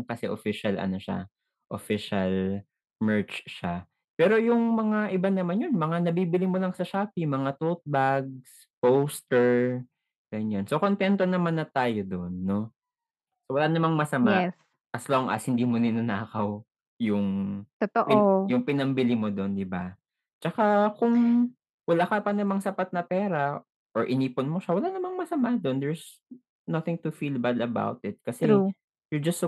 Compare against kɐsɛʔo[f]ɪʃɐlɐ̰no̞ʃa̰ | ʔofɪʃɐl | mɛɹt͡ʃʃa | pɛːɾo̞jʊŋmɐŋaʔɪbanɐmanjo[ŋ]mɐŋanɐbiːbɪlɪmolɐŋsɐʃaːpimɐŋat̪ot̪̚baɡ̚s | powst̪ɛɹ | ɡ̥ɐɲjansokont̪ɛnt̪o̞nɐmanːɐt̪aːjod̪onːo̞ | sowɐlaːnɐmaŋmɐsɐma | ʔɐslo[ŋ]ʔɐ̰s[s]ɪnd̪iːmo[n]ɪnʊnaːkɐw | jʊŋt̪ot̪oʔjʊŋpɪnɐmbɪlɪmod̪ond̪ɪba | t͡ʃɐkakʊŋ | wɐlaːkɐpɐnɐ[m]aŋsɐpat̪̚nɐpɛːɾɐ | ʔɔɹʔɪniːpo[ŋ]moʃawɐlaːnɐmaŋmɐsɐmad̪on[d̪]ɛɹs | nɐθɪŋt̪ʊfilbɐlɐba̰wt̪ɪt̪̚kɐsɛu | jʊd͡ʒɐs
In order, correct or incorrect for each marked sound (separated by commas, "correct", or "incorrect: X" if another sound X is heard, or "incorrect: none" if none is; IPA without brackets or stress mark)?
correct, incorrect: n, correct, incorrect: h, correct, correct, incorrect: n, correct